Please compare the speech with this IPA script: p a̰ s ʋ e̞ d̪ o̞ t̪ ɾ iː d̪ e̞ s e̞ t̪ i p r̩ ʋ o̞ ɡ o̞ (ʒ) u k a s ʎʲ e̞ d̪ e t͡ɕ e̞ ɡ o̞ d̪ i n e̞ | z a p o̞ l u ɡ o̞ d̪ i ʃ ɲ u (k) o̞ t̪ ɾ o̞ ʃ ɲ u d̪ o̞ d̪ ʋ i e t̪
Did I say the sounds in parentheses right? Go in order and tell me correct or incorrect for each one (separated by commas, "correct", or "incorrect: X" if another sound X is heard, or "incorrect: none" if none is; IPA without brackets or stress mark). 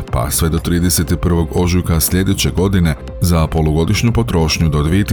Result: correct, incorrect: p